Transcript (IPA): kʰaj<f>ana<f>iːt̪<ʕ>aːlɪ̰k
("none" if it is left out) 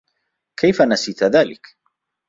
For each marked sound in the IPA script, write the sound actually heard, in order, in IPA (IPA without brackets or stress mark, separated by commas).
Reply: f, s, ð